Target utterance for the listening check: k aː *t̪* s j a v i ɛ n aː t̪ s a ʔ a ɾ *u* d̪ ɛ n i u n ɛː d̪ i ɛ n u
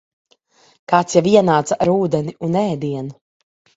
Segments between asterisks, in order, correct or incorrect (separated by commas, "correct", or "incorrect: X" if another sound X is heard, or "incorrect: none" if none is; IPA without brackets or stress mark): correct, incorrect: uː